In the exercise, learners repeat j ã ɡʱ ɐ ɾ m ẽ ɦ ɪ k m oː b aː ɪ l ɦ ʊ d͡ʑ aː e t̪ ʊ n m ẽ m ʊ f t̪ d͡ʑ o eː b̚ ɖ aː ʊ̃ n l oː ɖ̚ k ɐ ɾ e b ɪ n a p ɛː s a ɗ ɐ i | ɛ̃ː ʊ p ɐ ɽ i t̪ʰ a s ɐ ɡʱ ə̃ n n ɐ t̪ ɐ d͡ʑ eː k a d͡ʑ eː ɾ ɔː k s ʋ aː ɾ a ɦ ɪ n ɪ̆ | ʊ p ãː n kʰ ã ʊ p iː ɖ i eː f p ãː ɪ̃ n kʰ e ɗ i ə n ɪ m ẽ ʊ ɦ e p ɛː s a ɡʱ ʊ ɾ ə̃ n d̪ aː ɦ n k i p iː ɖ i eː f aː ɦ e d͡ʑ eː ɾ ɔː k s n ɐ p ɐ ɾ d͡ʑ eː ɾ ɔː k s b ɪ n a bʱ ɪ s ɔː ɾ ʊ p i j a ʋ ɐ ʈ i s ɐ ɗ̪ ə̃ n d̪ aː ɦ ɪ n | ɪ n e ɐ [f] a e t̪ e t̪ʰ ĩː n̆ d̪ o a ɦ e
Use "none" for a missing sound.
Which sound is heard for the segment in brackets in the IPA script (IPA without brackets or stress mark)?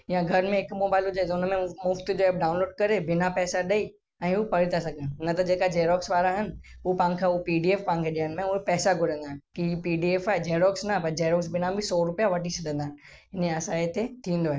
s